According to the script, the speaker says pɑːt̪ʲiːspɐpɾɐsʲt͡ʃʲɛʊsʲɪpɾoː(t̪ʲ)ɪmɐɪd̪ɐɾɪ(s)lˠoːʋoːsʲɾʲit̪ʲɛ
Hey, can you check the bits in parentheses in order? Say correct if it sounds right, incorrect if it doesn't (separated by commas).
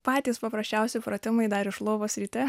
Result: correct, incorrect